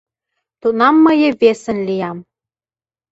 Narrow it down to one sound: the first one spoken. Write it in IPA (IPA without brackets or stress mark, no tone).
t̪